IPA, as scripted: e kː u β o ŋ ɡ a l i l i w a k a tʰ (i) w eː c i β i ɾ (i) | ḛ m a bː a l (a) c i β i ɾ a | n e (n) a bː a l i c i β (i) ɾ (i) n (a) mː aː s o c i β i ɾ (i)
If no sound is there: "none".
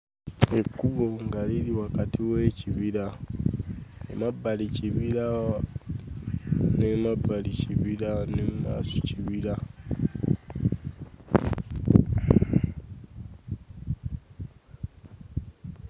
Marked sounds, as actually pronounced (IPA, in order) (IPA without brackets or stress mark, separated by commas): i, a, i, m, i, a, e, a